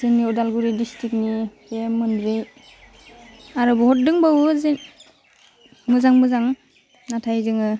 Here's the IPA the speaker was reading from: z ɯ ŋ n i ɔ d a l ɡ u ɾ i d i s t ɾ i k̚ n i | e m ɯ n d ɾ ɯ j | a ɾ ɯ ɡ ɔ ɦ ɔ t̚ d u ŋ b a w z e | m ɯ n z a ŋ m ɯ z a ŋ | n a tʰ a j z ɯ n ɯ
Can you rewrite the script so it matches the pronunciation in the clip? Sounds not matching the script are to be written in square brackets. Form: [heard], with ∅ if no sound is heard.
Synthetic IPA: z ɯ ŋ n i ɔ d a l ɡ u ɾ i d i s t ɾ i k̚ n i | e m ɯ n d ɾ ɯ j | a ɾ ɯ [b] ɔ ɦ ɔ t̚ d [ɯ] ŋ b a w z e | m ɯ [∅] z a ŋ m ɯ z a ŋ | n a tʰ a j z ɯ [ŋ] ɯ

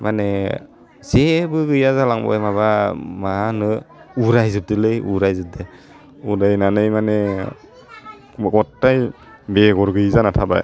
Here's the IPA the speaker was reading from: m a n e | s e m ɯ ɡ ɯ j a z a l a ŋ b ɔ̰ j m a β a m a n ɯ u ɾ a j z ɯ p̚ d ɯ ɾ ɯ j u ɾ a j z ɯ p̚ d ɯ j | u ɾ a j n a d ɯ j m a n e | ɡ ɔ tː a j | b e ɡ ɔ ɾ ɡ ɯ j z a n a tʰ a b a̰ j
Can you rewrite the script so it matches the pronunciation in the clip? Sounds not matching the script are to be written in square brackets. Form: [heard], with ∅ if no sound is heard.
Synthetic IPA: m a n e | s e [b] ɯ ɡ ɯ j a z a l a ŋ b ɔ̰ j m a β a m a n ɯ u ɾ a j z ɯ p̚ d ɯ [l] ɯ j u ɾ a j z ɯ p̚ d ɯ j | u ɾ a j n a [n] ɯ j m a n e | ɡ ɔ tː a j | b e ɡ ɔ ɾ ɡ ɯ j z a n a tʰ a b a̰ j

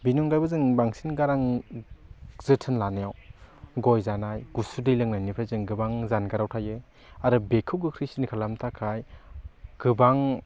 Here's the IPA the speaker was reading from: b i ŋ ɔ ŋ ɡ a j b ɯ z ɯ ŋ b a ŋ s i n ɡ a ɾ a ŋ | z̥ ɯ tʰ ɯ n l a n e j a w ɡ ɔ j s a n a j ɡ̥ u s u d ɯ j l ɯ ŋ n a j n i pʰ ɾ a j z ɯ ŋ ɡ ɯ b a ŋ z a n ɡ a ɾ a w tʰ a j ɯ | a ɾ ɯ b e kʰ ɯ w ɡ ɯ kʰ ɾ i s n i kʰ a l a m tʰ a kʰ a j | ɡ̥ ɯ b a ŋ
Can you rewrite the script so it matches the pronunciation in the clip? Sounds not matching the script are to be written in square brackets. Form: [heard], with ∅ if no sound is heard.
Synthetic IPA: b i [n] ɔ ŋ ɡ a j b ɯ z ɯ ŋ b a ŋ s i n ɡ a ɾ a ŋ | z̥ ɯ tʰ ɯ n l a n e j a w ɡ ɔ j [z] a n a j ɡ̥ u s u d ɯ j l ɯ ŋ n a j n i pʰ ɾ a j z ɯ ŋ ɡ ɯ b a ŋ z a n ɡ a ɾ a w tʰ a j ɯ | a ɾ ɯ b e kʰ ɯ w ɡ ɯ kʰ ɾ i s n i kʰ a l a m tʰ a kʰ a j | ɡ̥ ɯ b a ŋ

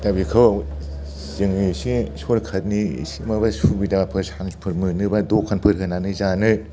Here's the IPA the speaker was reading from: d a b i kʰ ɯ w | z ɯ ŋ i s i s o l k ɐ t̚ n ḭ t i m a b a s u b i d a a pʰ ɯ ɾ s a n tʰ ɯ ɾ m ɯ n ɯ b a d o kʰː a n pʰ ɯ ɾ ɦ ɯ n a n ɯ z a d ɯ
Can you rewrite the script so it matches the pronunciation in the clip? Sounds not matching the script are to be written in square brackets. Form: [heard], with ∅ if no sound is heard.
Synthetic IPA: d a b i kʰ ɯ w | z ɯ ŋ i s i s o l [kʰ] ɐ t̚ n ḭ [s] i m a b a s u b i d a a pʰ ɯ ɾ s a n [pʰ] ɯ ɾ m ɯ n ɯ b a d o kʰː a n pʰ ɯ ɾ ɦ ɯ n a n ɯ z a [n] ɯ

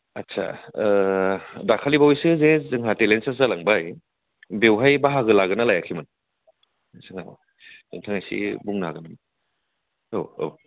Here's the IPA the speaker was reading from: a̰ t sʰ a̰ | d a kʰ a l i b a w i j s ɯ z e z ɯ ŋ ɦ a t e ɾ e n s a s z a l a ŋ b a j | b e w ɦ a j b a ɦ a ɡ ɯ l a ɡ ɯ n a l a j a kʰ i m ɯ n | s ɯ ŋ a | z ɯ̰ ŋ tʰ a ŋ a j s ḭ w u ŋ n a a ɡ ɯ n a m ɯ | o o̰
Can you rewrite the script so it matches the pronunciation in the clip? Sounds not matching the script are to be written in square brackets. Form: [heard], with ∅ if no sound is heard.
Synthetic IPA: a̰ t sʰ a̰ | d a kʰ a l i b a w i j s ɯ z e z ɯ ŋ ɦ a t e [l] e n s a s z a l a ŋ b a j | b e w ɦ a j b a ɦ a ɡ ɯ l a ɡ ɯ n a l a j a kʰ i m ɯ n | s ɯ ŋ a | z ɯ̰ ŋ tʰ a ŋ a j s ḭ [b] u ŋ n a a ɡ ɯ n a m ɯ | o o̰

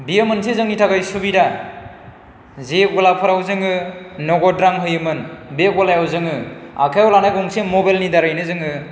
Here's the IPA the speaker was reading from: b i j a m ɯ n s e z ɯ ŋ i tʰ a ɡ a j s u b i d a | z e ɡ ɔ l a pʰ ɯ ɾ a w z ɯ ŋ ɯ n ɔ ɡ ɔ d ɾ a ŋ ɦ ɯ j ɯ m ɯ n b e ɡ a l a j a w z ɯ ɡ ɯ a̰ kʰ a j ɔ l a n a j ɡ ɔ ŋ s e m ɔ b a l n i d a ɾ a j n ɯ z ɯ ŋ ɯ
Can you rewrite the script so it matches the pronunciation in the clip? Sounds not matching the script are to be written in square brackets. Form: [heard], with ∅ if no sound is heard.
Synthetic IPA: b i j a m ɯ n s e z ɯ ŋ i tʰ a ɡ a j s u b i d a | z e ɡ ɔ l a pʰ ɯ ɾ a w z ɯ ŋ ɯ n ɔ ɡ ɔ d ɾ a ŋ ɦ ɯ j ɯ m ɯ n b e ɡ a l a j a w z ɯ [ŋ] ɯ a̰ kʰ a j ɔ l a n a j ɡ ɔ ŋ s e m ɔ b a l n i d a ɾ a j n ɯ z ɯ ŋ ɯ

